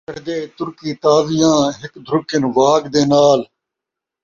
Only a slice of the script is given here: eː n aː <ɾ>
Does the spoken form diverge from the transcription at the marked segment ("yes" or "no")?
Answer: yes